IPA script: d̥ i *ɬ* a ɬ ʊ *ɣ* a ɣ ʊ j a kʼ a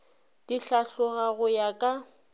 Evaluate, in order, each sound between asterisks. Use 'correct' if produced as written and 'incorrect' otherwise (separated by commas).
correct, correct